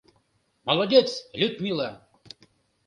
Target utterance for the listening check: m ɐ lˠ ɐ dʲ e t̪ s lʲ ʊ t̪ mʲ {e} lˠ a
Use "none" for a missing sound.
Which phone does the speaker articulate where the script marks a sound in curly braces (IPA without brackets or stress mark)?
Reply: i